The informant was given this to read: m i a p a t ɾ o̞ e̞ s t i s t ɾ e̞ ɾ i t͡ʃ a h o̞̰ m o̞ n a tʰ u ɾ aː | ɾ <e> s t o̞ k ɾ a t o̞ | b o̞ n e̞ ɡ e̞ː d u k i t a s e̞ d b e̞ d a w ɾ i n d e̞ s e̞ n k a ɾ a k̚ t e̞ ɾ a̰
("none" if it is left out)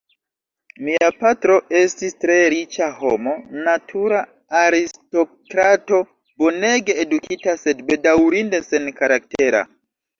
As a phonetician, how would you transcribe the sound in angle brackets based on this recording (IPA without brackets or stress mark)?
i